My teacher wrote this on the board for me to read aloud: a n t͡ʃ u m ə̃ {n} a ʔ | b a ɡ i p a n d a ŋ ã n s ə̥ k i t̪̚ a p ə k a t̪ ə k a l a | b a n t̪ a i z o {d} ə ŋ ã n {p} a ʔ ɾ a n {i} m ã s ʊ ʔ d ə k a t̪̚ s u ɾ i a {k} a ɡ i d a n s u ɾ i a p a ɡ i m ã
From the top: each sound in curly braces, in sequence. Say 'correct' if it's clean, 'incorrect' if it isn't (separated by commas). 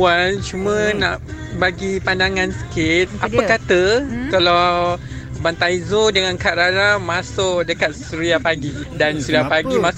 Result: correct, correct, incorrect, incorrect, incorrect